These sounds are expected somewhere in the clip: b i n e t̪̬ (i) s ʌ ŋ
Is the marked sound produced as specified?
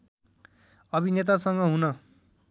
no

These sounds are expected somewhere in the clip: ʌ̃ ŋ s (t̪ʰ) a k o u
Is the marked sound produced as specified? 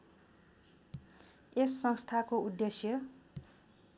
yes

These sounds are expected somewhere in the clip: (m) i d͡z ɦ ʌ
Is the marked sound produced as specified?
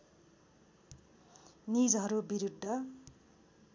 no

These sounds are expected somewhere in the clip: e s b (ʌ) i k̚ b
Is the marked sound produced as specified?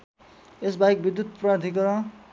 no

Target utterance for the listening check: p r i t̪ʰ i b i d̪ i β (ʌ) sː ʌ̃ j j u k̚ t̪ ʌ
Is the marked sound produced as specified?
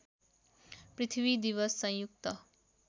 yes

